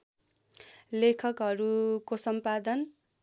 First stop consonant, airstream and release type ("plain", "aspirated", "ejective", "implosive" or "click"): aspirated